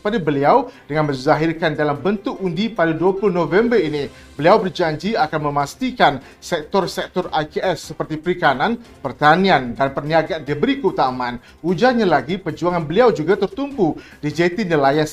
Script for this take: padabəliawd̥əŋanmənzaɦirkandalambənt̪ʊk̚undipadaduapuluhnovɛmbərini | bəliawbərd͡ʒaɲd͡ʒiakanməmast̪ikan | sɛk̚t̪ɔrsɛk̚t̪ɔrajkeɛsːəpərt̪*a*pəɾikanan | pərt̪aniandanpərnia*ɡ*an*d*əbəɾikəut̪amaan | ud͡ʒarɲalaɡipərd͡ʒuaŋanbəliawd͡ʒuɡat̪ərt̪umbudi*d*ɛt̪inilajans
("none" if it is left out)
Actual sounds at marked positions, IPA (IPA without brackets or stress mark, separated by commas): i, ɡ, d, d͡ʒ